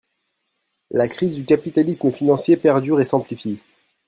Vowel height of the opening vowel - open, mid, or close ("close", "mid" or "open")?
open